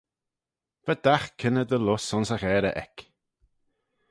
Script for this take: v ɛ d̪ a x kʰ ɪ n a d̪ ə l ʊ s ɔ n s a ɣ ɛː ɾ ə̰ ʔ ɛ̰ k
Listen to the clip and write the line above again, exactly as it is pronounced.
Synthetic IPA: v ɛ d̪ a x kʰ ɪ n ə d̪ ə l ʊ s ɔ n s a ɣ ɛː ɾ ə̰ ʔ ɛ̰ k

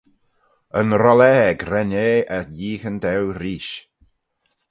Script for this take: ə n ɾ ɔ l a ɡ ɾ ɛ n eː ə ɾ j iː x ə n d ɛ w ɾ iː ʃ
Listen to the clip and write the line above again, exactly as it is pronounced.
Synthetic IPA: ə n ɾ ɔ l ɛ ɡ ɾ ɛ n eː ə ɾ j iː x ə n d ɛ w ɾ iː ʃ

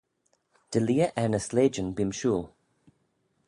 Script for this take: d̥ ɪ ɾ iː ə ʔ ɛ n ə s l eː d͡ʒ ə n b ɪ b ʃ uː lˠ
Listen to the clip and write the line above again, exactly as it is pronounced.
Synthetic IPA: d̥ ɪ l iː ə ʔ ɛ n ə s l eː d͡ʒ ə n b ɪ m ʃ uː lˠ

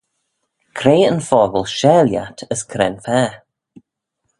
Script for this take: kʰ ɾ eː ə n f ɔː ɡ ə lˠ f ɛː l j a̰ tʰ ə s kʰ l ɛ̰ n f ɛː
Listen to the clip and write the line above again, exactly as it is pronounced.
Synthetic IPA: kʰ ɾ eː ə n f ɔː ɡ ə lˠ ʃ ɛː l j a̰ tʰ ə s kʰ ɾ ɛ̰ n f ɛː

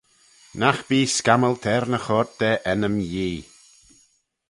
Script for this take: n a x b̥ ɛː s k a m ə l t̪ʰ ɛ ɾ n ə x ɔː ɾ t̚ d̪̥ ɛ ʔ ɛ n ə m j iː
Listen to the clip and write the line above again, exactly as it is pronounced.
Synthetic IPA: n a x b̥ iː s k a m ə l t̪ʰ ɛ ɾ n ə x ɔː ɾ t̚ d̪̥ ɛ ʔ ɛ n ə m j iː

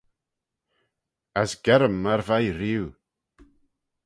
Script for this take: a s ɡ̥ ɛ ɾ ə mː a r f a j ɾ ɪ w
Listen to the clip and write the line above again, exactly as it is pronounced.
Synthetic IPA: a s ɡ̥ ɛ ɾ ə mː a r v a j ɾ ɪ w

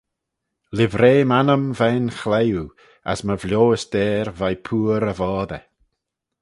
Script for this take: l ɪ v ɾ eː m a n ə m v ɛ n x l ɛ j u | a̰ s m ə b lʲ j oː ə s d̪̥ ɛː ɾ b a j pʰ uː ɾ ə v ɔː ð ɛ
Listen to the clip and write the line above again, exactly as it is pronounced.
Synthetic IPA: l ɪ v ɾ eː m a n ə m v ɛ n x l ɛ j u | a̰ s m ə v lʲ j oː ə s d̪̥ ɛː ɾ v a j pʰ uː ɾ ə v ɔː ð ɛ

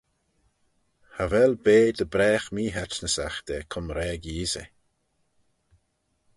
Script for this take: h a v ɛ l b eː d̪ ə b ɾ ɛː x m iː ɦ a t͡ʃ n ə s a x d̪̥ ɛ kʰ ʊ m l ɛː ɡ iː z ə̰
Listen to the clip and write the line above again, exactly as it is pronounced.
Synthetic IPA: h a v ɛ l b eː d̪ ə b ɾ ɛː x m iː ɦ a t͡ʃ n ə s a x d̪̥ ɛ kʰ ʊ m ɾ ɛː ɡ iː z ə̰

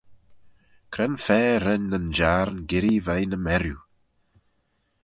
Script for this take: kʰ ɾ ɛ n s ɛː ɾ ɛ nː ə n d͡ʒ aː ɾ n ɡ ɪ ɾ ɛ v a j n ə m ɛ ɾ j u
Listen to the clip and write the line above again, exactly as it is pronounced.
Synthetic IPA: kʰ ɾ ɛ n f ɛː ɾ ɛ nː ə n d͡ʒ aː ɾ n ɡ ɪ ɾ i v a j n ə m ɛ ɾ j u

